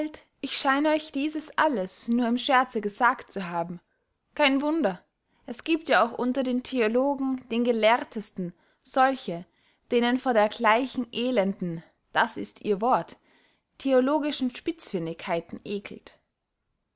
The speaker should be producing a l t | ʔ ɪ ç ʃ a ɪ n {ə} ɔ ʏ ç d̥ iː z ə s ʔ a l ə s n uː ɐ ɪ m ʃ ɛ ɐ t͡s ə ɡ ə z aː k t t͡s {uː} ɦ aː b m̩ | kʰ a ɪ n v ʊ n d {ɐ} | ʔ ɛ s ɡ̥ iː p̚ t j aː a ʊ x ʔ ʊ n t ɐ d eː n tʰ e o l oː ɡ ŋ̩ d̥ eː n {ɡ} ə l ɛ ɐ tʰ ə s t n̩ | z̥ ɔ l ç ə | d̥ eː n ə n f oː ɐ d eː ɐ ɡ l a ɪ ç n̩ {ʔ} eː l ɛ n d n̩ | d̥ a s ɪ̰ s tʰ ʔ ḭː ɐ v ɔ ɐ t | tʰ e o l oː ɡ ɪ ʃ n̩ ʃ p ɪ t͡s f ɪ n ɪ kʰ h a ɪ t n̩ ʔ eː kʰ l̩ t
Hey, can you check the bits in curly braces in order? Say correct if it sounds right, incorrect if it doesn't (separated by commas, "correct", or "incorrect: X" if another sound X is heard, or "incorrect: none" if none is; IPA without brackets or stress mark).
correct, incorrect: u, correct, correct, correct